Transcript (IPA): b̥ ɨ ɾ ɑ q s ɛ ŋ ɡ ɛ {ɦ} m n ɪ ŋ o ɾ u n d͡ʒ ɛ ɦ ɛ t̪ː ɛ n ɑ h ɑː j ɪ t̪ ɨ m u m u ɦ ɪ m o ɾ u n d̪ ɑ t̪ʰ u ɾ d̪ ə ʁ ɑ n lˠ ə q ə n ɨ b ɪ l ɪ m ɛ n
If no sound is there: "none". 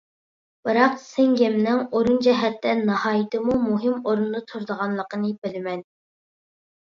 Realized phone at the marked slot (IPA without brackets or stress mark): none